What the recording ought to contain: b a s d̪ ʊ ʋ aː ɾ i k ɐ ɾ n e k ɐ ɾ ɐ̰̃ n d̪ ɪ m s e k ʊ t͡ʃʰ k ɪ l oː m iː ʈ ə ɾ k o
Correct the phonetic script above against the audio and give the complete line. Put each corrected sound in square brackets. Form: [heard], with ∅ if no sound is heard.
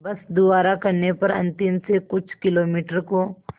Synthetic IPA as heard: b [ɐ] s d̪ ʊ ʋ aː ɾ [a] k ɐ ɾ n e [p] ɐ ɾ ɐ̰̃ n [t̪] ɪ m s e k ʊ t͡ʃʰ k ɪ l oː m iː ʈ ə ɾ k o